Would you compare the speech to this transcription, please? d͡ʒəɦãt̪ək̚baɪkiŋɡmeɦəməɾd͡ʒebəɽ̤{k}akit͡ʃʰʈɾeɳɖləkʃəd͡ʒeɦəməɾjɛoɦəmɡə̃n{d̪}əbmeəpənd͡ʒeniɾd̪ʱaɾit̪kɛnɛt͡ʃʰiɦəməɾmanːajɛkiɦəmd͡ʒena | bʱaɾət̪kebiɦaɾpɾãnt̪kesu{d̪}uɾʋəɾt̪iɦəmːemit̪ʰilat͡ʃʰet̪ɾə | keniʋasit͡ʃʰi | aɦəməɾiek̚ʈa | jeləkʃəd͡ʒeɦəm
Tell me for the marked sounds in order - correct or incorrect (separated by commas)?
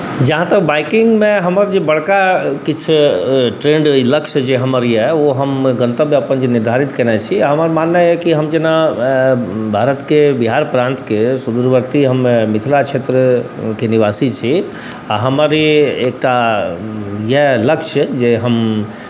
correct, incorrect, correct